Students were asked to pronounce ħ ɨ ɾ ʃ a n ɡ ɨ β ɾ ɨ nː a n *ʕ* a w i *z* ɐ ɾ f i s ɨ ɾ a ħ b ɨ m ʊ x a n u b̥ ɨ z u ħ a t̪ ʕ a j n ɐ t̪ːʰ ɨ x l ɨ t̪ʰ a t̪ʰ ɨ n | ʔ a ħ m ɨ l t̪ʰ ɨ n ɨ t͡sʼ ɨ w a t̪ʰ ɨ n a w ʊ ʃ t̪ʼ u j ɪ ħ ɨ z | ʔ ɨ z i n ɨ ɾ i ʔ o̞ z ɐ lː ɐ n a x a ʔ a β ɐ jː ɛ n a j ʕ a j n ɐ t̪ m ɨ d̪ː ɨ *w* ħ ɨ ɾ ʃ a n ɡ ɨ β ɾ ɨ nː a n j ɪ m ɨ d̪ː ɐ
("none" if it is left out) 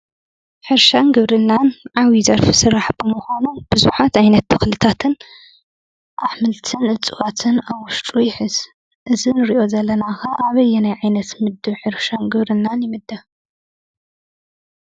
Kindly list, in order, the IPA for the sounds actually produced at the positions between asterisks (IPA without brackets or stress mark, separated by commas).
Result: ʕ, z, β